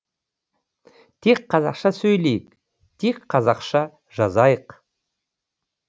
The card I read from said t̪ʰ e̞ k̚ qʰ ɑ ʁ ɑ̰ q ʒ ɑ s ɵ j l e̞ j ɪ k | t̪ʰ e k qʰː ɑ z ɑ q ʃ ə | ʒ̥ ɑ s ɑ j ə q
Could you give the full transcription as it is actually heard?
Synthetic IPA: t̪ʰ e̞ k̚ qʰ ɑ z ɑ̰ q ʃ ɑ s ɵ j l e̞ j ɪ k | t̪ʰ e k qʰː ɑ z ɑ q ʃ ɑ | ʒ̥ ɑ z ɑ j ə q